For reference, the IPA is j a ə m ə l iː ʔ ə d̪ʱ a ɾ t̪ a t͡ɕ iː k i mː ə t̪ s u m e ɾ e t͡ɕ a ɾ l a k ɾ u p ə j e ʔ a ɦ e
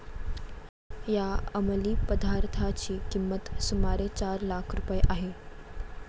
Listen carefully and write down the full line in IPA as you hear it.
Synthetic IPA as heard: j a ə m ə l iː p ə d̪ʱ a ɾ t̪ʰ a t͡ɕ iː k i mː ə t̪ s u m a ɾ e t͡ɕ a ɾ l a kʰ ɾ u p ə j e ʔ a ɦ e